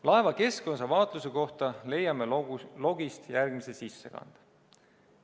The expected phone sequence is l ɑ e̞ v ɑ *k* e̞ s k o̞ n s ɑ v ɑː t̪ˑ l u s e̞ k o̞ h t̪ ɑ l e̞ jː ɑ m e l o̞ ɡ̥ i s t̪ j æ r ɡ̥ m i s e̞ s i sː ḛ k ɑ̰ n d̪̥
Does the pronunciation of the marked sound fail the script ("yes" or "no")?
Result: no